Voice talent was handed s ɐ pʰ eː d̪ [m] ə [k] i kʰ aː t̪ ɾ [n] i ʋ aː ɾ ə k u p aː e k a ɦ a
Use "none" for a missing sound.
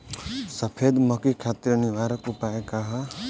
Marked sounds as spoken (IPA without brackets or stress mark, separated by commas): m, k, n